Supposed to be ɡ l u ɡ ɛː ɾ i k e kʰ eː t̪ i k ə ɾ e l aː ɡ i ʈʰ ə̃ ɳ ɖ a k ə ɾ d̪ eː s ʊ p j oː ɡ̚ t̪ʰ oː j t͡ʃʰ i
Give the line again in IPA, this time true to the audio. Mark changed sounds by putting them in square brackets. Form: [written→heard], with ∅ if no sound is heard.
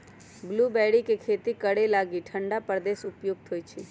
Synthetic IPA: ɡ l u [ɡ→b] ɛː [ɾ→ɽ] i k e kʰ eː t̪ i k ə [ɾ→ɽ] e l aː ɡ i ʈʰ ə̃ ɳ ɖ a [k→p] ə ɾ d̪ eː s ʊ p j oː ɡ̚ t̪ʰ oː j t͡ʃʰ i